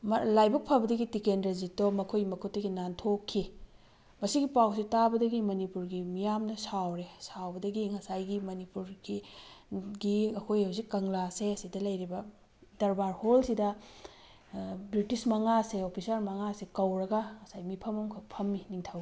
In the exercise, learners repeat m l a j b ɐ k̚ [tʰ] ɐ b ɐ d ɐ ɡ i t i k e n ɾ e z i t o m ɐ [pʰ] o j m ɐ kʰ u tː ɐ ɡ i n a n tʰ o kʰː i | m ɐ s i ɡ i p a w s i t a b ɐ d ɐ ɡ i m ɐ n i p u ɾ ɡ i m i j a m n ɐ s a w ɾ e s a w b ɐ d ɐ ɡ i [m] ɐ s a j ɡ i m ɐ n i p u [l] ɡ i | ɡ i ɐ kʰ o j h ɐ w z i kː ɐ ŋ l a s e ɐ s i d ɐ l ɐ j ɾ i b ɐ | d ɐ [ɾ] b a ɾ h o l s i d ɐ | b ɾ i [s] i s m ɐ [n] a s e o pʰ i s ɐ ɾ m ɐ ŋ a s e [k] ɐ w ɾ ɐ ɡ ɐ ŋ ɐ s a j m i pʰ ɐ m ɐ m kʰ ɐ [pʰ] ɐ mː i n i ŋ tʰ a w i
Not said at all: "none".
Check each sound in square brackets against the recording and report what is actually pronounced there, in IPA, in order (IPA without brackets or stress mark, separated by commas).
pʰ, kʰ, ŋ, ɾ, ɾ, t, ŋ, k, pʰ